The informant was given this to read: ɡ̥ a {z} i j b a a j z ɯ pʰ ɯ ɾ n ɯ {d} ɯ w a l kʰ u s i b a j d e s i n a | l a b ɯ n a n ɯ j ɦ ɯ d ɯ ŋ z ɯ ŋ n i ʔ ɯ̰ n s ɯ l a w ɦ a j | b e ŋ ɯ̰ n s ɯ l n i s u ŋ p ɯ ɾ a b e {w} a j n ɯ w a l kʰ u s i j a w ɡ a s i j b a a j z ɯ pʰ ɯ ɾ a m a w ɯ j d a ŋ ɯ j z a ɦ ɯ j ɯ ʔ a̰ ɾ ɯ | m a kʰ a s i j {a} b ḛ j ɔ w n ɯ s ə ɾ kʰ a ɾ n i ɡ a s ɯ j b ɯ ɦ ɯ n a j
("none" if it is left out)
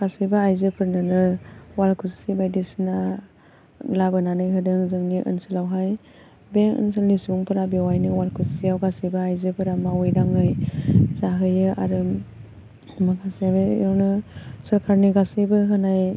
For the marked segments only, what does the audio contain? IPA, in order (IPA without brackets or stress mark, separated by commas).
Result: s, n, w, a